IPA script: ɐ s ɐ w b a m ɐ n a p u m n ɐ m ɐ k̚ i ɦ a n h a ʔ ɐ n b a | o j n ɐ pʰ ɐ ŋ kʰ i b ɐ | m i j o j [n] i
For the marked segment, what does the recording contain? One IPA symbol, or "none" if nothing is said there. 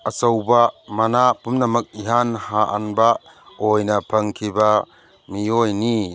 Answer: n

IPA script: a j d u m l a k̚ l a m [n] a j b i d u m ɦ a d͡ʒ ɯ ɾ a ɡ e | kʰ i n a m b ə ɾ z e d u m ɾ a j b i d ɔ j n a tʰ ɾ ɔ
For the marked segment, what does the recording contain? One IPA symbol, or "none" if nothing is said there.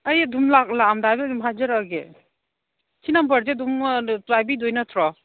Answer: d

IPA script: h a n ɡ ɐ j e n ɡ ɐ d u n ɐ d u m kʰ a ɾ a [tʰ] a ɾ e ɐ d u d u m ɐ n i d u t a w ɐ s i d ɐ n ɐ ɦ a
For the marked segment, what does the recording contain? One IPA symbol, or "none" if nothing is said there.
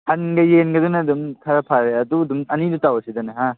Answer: pʰ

